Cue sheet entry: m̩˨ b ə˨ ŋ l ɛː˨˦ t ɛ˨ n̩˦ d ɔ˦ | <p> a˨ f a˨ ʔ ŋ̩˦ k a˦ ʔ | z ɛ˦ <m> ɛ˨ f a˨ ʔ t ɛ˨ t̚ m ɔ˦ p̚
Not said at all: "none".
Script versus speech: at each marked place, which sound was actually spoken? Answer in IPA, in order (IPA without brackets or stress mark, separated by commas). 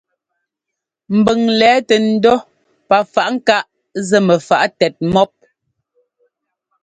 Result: p, m